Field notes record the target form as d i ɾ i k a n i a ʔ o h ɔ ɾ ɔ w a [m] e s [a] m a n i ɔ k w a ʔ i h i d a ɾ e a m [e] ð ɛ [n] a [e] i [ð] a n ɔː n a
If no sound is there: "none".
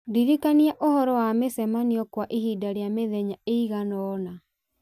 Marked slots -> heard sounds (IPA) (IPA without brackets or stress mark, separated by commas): m, ɛ, e, ɲ, e, ɣ